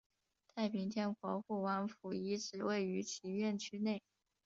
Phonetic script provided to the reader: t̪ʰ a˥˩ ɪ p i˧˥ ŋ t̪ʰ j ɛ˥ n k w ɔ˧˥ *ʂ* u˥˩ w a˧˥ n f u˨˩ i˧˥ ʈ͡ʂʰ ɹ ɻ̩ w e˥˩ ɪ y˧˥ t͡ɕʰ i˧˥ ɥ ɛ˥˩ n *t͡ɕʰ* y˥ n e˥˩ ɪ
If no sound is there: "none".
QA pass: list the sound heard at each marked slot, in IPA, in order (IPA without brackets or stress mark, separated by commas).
x, t͡ɕʰ